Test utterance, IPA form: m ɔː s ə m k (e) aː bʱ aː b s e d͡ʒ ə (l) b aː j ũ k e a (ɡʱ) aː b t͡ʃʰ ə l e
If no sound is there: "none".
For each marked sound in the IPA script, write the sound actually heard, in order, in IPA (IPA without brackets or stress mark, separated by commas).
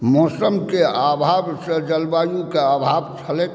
e, l, bʱ